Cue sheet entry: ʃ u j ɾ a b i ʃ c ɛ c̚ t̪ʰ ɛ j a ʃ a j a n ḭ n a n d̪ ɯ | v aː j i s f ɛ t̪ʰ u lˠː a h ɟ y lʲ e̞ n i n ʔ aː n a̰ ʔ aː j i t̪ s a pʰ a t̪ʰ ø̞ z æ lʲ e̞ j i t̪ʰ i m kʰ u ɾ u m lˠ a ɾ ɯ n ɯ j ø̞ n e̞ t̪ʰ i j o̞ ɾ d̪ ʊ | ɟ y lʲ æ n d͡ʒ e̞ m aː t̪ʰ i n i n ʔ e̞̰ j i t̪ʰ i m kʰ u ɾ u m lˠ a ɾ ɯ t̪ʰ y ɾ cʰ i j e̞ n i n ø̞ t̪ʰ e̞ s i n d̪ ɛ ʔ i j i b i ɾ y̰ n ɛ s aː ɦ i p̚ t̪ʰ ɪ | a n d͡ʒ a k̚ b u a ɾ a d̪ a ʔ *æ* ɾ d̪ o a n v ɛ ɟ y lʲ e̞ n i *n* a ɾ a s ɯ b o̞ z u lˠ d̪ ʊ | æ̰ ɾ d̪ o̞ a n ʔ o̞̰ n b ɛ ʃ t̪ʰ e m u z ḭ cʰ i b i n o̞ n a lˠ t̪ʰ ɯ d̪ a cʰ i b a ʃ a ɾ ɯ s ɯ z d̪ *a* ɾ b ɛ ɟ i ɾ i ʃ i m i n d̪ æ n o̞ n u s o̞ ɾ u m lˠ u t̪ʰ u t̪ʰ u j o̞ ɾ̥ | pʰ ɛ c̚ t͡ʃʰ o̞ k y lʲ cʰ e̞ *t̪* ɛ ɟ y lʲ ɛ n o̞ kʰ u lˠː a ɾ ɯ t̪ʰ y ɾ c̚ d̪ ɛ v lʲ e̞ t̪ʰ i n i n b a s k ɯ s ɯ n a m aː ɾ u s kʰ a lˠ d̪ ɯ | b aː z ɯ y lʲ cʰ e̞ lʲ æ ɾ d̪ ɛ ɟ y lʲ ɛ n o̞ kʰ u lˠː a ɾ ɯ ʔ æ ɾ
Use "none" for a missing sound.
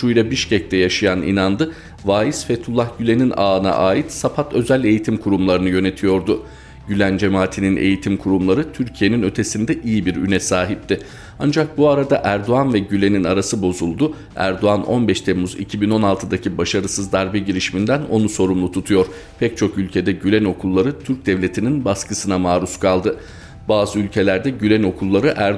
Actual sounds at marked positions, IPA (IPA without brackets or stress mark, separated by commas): æ, n, a, d̪